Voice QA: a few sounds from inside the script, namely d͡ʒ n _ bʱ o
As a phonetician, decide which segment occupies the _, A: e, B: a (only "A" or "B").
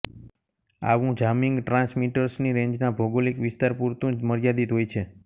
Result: B